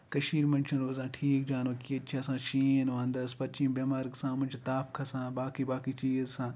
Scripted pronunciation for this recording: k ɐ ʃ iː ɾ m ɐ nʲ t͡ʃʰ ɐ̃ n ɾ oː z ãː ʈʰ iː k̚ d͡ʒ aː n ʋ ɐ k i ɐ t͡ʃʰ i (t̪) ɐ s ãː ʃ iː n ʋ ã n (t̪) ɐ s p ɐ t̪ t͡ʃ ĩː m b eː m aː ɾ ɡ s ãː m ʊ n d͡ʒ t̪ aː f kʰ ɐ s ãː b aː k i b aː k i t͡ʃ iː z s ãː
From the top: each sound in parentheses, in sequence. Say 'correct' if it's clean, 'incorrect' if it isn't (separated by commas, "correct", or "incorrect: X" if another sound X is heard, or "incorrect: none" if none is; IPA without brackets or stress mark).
incorrect: none, incorrect: d̪